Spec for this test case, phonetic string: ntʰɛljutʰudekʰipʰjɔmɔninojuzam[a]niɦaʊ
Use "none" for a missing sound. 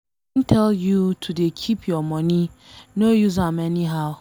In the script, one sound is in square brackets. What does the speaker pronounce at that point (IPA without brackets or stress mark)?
ɛ